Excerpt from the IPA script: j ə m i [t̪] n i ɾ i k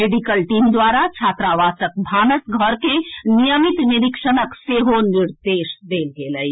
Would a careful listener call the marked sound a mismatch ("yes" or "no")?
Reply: no